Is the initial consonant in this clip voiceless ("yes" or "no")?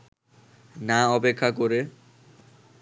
no